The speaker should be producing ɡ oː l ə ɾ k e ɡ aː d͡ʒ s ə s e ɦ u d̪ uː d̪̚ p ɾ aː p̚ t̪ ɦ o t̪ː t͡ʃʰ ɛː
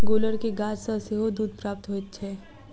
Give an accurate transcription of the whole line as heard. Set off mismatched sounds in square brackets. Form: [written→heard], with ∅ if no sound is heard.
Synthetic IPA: ɡ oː l ə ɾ k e ɡ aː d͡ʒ s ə s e ɦ [u→o] d̪ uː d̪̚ p ɾ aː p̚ t̪ ɦ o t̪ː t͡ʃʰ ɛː